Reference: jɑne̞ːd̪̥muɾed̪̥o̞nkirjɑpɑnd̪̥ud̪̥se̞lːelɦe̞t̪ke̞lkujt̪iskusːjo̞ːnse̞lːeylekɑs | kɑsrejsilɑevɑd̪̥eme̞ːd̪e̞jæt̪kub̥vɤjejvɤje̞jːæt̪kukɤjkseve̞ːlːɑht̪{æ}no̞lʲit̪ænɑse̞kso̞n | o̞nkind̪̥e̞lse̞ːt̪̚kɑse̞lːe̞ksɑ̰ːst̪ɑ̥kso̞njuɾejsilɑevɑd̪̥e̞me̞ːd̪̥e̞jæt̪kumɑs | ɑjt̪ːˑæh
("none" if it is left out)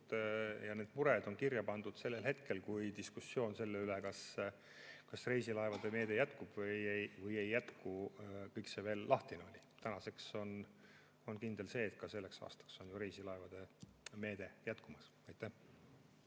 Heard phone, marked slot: i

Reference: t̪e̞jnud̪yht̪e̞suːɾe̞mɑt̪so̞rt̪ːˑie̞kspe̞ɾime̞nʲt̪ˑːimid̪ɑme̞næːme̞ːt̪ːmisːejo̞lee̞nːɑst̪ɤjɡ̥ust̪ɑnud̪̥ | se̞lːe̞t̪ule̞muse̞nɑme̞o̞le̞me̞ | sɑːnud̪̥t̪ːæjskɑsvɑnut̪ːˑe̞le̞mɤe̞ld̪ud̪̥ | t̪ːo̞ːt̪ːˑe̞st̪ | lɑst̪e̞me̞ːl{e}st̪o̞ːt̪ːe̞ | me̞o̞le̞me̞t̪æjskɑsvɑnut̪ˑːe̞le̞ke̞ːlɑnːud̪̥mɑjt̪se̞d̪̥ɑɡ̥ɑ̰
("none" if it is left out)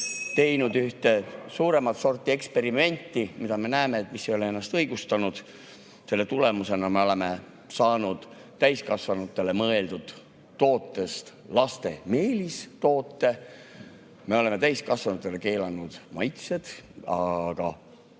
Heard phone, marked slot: i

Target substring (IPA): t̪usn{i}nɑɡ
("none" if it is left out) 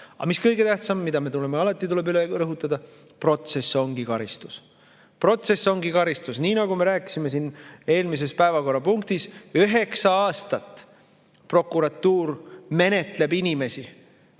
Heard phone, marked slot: iː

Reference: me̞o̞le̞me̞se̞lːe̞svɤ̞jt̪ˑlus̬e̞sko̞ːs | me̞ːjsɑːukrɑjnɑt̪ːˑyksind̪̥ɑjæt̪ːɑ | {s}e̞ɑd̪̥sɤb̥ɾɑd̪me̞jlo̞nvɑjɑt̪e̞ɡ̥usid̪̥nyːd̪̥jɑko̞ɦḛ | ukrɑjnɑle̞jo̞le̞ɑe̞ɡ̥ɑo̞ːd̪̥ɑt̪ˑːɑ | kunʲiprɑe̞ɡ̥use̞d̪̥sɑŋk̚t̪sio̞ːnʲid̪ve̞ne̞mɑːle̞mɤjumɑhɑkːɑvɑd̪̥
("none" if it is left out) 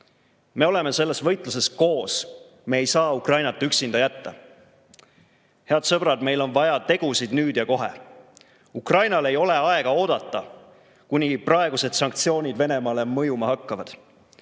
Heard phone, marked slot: h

